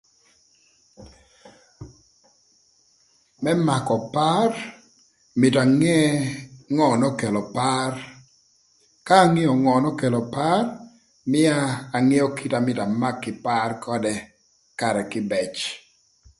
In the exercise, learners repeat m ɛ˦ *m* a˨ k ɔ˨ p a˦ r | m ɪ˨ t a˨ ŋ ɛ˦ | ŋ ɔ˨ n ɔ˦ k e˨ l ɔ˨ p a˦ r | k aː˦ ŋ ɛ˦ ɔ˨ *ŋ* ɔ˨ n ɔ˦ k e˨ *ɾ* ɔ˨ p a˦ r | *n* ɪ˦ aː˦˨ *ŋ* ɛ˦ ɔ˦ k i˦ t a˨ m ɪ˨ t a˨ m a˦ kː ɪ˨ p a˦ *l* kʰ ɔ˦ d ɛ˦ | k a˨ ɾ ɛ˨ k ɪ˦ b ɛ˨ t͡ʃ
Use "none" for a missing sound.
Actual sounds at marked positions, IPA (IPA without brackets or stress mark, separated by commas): m, ŋ, l, m, ŋ, r